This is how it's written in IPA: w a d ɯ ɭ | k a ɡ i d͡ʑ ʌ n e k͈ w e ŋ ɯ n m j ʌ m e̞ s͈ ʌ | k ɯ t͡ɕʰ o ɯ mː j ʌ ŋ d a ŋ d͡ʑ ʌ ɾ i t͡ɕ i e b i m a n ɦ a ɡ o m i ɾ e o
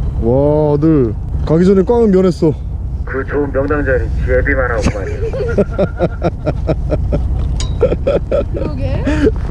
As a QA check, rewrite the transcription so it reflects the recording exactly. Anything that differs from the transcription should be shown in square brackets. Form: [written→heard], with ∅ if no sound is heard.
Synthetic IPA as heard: w a d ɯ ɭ | k a ɡ i d͡ʑ ʌ n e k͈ w [e→a] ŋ ɯ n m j ʌ [m→n] e̞ s͈ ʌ | k ɯ [t͡ɕʰ→t͡ɕ] o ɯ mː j ʌ ŋ d a ŋ d͡ʑ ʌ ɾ i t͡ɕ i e b i m a n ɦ a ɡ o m [i→a] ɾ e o